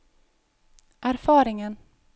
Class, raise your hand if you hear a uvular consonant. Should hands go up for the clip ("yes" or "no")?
no